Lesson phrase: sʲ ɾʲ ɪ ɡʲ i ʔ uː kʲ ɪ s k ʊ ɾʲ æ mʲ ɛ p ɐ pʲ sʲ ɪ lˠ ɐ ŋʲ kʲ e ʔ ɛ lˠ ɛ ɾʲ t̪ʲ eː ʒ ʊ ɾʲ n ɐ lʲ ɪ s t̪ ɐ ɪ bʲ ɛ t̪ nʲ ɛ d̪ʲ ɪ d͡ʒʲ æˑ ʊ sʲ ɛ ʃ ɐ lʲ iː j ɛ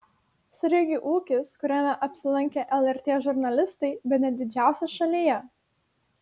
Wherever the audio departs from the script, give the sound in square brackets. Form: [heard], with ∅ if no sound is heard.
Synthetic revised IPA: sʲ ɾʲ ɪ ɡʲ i ʔ uː kʲ ɪ s k ʊ ɾʲ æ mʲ ɛ [ʔ] ɐ pʲ sʲ ɪ lˠ ɐ ŋʲ kʲ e ʔ ɛ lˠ ɛ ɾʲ t̪ʲ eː ʒ ʊ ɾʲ n ɐ lʲ ɪ s t̪ ɐ ɪ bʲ ɛ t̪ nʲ ɛ d̪ʲ ɪ d͡ʒʲ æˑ ʊ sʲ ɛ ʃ ɐ lʲ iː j ɛ